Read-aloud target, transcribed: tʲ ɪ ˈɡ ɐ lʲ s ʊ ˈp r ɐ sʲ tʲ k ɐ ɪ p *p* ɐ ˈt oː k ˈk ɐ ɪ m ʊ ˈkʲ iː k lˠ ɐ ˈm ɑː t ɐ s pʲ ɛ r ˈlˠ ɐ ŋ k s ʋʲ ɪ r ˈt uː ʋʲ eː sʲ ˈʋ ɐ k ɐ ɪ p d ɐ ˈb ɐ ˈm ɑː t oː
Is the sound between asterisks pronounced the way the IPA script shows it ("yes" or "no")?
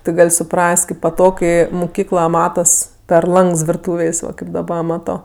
yes